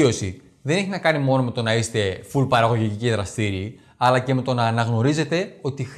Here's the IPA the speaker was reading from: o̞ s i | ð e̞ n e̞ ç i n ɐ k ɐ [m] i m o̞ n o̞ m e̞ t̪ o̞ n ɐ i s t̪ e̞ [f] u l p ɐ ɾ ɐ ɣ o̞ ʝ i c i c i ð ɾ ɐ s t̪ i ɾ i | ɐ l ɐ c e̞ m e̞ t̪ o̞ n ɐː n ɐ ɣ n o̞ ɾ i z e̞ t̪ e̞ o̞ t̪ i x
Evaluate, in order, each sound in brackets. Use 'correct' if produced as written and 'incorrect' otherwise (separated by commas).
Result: incorrect, correct